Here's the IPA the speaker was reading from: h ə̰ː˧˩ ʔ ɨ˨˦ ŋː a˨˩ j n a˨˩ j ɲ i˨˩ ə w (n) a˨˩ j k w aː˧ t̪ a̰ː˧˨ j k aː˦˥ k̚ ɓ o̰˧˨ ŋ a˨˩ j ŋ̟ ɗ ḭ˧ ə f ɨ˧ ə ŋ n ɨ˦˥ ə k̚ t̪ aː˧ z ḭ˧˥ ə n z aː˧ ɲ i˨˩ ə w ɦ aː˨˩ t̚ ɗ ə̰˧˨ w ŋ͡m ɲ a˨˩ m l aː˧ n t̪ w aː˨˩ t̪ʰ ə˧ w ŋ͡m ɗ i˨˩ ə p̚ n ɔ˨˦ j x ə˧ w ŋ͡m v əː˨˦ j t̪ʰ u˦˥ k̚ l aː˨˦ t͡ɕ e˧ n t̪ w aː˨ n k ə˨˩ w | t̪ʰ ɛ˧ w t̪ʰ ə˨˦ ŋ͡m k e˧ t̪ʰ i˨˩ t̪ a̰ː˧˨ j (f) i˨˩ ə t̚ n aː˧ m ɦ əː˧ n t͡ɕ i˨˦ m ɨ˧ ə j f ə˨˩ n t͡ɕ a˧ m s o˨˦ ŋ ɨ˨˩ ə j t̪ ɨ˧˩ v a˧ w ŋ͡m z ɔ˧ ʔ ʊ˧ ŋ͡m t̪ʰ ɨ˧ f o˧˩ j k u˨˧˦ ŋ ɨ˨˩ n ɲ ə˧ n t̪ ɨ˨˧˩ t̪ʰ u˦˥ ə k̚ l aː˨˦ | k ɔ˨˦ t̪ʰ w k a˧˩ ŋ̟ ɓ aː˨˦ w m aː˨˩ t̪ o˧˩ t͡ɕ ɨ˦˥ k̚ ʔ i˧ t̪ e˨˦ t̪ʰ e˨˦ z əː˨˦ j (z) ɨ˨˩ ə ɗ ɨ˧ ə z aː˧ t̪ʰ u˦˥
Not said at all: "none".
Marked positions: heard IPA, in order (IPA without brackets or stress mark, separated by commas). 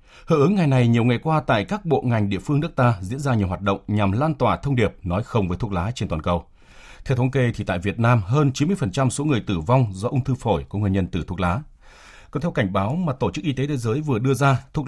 ŋ, v, v